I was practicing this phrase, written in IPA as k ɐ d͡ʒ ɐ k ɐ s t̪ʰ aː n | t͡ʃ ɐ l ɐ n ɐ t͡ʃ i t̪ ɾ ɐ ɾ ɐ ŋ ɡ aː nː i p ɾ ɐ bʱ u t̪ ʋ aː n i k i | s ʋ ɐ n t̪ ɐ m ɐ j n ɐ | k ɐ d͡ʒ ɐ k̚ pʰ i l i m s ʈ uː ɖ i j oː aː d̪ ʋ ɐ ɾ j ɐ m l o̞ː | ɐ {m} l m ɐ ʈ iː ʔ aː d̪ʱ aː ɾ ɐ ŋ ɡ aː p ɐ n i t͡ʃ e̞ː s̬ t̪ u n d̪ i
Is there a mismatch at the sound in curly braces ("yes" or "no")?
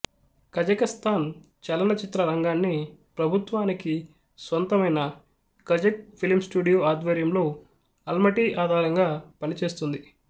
yes